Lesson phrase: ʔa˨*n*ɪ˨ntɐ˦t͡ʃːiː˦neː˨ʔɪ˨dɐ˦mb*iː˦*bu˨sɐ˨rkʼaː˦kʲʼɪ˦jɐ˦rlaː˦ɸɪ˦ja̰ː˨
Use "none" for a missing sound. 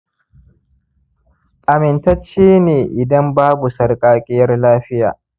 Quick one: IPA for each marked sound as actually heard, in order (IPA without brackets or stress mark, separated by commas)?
m, aː˦